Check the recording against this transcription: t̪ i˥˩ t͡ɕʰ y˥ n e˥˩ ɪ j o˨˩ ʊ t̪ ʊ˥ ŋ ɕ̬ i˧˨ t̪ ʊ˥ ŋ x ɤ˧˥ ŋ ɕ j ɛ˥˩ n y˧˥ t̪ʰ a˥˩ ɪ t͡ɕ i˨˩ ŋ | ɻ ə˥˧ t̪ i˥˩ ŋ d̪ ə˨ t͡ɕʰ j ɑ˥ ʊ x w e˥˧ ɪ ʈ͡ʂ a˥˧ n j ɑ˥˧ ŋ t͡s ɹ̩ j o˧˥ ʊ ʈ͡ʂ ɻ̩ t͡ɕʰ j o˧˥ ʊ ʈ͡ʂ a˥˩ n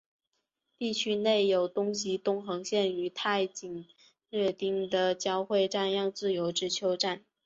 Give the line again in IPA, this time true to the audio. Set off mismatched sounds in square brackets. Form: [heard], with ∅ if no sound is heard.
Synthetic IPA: t̪ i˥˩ t͡ɕʰ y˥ n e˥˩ ɪ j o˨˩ ʊ t̪ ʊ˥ ŋ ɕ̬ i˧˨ t̪ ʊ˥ ŋ x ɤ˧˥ ŋ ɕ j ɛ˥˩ n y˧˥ t̪ʰ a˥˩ ɪ t͡ɕ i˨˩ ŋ | ɻ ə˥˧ t̪ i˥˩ ŋ d̪ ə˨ [t͡ɕ] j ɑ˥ ʊ x w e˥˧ ɪ ʈ͡ʂ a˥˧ n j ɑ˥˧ ŋ t͡s ɹ̩ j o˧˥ ʊ ʈ͡ʂ ɻ̩ t͡ɕʰ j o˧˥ ʊ ʈ͡ʂ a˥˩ n